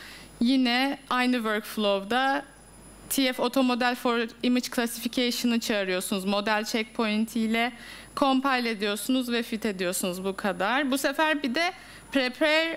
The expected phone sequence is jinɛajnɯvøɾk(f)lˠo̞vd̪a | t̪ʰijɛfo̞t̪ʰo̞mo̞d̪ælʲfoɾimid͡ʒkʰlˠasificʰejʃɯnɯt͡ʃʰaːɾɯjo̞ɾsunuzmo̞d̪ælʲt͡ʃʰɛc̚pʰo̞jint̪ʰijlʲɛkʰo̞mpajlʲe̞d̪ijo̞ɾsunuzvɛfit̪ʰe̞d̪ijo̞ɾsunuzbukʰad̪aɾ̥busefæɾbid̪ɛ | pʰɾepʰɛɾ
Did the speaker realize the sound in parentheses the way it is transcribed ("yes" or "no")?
yes